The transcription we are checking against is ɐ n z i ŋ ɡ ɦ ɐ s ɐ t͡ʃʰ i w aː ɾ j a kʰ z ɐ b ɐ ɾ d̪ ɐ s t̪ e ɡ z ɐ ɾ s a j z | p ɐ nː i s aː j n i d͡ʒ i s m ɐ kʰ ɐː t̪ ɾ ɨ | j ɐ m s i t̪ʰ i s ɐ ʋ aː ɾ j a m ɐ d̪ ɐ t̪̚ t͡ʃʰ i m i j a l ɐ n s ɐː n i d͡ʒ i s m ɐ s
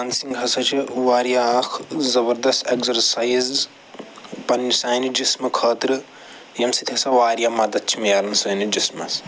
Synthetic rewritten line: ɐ n s i ŋ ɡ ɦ ɐ s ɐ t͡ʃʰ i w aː ɾ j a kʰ z ɐ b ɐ ɾ d̪ ɐ s t̪ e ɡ z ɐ ɾ s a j z | p ɐ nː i s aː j n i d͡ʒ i s m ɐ kʰ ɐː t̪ ɾ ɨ | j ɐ m s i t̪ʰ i s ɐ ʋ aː ɾ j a m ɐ d̪ ɐ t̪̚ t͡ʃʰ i m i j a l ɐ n s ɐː n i d͡ʒ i s m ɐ s